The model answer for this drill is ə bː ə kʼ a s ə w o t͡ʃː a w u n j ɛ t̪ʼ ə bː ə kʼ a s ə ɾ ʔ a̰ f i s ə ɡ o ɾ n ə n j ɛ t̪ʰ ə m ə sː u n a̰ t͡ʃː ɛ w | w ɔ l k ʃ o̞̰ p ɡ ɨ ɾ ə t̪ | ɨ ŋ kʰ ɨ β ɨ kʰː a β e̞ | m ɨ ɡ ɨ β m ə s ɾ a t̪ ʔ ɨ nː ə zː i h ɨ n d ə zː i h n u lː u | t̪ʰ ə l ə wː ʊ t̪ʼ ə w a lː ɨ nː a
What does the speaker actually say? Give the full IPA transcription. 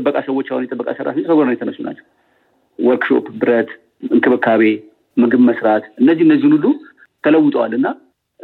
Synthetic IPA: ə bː ə kʼ a s ə w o t͡ʃː a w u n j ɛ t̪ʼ ə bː ə kʼ a s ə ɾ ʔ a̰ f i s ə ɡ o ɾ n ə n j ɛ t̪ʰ ə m ə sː u n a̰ t͡ʃː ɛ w | w ɔ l k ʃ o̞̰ p b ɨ ɾ ə t̪ | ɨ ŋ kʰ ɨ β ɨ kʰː a β e̞ | m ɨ ɡ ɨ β m ə s ɾ a t̪ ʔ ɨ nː ə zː i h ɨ n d ə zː i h n u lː u | t̪ʰ ə l ə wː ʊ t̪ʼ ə w a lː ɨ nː a